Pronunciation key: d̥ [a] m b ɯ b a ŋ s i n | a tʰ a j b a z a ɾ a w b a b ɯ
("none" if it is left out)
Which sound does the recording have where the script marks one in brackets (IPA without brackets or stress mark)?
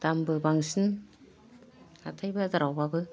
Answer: a